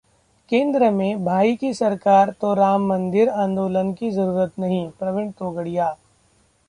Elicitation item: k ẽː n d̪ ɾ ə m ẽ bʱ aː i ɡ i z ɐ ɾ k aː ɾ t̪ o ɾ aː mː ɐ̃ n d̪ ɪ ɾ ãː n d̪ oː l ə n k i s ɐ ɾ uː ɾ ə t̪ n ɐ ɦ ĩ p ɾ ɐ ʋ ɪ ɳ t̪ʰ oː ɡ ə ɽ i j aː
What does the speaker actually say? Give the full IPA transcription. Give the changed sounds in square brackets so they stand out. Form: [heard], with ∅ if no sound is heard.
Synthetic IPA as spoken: k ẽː n d̪ ɾ ə m ẽ bʱ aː i [k] i [s] ɐ ɾ k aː ɾ t̪ o ɾ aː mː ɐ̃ n d̪ ɪ ɾ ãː n d̪ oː l ə n k i [z] ɐ ɾ uː ɾ ə t̪ n ɐ ɦ ĩ p ɾ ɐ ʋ ɪ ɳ [t̪] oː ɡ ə ɽ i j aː